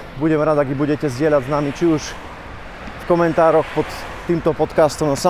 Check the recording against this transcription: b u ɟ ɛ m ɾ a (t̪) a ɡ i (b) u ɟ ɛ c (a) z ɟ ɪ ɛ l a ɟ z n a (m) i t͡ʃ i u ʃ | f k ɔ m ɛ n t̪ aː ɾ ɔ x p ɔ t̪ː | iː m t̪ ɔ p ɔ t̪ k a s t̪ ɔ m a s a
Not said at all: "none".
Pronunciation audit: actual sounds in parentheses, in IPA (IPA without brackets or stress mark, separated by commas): d̪, b, ɛ, m